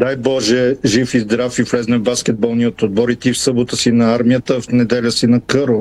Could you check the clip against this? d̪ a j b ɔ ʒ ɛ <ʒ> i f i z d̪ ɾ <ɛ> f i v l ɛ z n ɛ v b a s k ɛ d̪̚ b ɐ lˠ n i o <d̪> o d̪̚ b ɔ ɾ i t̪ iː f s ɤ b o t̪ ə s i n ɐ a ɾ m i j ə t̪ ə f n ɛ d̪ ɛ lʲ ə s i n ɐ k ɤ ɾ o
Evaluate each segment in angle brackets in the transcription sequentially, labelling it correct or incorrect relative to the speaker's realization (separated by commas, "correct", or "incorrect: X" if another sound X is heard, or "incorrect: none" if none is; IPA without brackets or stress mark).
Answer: correct, incorrect: a, incorrect: t̪